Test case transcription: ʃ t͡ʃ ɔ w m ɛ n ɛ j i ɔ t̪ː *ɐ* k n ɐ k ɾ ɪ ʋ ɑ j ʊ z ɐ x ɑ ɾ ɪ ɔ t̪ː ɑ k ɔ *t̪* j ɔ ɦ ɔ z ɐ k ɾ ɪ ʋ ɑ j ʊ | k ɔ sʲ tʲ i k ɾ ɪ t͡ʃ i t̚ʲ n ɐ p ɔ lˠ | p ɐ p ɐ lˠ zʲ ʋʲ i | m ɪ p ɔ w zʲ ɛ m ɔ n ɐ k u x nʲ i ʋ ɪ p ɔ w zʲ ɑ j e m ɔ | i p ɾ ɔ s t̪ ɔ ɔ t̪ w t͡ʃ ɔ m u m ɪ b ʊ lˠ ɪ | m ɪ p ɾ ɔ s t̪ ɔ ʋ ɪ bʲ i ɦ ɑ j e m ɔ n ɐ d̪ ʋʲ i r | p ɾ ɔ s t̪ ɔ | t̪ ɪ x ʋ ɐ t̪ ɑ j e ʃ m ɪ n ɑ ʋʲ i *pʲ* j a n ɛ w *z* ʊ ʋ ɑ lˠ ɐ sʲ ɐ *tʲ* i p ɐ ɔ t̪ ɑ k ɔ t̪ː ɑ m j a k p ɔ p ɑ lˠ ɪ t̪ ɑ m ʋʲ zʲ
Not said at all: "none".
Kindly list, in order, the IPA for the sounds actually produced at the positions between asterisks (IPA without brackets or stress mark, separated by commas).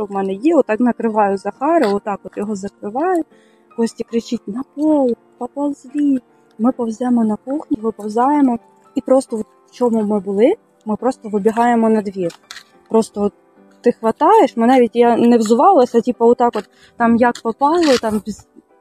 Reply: ɑ, t̪, tʲ, z, tʲ